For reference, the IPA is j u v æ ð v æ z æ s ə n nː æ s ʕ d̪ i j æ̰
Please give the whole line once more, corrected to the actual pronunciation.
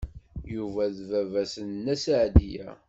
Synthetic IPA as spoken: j u v æ ð v æ v æ s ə n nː æ s ʕ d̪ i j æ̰

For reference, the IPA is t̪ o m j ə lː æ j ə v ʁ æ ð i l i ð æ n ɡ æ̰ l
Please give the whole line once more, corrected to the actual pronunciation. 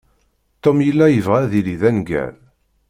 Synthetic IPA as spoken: t̪ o m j ə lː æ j ə v ʁ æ ð i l i ð æ n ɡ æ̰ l

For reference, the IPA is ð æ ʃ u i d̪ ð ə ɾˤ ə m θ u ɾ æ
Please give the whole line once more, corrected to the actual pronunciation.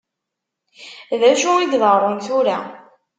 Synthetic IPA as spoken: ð æ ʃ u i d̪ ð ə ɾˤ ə n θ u ɾ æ

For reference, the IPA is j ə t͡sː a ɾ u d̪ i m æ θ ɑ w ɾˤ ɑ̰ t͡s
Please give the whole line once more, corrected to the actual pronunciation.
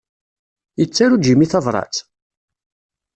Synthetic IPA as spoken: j ə t͡sː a ɾ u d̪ i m i θ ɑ v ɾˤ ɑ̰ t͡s

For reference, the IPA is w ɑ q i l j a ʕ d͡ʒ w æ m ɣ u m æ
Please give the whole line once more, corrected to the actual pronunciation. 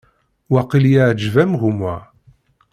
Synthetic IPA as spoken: w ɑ q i l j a ʕ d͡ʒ v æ m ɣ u m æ

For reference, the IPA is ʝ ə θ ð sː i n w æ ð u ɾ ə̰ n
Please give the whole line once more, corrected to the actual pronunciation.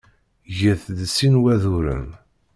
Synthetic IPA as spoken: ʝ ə θ ð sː i n w æ ð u ɾ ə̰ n

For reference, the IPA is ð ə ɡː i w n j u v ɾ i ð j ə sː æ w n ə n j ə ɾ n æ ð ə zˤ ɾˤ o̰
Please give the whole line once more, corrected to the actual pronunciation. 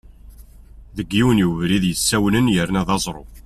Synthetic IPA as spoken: ð ə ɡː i w n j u v ɾ i ð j ə sː æ w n ə n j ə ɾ n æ ð ɑ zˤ ɾˤ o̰

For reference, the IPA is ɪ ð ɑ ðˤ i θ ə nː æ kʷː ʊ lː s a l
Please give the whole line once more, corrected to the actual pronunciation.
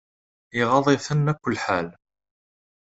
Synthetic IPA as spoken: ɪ ʁ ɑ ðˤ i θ ə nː æ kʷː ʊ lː ħ a l

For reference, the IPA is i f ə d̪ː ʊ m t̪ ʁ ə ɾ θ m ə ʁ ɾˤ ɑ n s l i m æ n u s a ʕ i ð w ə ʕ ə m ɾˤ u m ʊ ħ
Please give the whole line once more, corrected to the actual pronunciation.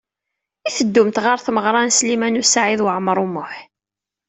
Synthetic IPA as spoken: i θ ə d̪ː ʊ m t̪ ʁ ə ɾ θ m ə ʁ ɾˤ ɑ n s l i m æ n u s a ʕ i ð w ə ʕ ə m ɾˤ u m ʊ ħ

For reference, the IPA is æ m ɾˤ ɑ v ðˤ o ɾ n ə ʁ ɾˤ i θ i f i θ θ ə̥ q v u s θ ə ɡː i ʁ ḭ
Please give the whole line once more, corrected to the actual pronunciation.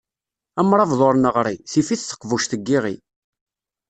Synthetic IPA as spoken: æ m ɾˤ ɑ v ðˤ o ɾ n ə ʁ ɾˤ i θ i f i θ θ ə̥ q v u ʃ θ ə ɡː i ʁ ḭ

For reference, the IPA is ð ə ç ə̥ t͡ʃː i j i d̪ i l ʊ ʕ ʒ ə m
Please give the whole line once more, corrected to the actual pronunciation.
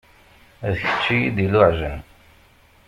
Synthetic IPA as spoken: ð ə ç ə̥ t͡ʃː i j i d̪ i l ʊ ʕ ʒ ə n

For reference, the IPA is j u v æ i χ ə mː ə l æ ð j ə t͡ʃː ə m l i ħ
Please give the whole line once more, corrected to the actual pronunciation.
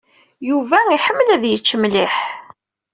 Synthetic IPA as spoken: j u v æ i ħ ə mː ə l æ ð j ə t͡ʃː ə m l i ħ

